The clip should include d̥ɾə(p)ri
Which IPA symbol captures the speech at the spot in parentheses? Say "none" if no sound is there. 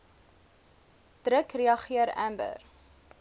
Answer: k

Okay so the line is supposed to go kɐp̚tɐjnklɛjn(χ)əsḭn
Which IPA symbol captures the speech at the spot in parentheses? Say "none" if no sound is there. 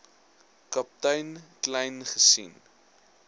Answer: χ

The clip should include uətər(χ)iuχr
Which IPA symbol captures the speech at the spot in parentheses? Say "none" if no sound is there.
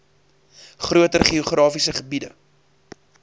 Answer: χ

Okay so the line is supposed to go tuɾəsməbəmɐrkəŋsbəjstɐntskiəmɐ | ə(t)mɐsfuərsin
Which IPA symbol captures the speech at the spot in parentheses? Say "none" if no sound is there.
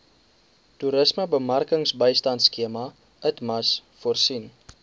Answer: t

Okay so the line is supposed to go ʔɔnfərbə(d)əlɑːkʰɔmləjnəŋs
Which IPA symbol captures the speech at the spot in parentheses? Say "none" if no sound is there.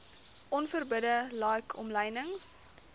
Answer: d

